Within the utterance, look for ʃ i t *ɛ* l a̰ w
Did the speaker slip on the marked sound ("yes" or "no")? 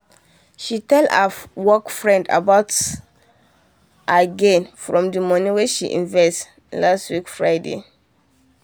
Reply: no